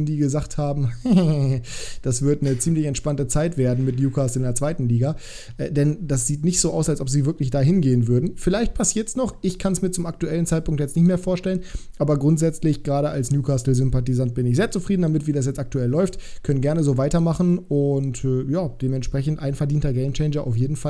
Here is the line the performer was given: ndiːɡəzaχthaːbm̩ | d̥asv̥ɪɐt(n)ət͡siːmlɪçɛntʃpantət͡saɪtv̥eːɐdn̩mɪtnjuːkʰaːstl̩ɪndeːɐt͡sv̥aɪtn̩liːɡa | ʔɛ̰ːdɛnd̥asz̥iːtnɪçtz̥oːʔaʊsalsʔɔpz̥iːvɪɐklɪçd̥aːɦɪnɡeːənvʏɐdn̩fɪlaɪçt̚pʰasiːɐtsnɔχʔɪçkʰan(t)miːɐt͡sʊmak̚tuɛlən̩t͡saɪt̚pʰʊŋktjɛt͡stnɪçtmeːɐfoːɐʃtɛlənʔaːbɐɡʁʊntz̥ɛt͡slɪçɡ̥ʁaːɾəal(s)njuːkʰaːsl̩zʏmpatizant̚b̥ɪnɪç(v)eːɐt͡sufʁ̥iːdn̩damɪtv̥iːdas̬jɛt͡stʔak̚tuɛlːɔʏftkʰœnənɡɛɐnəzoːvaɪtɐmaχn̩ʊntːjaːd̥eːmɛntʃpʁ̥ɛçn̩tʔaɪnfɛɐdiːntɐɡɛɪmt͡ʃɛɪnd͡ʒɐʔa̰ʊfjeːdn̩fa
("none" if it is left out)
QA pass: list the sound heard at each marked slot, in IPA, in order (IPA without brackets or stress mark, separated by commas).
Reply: n, s, s, z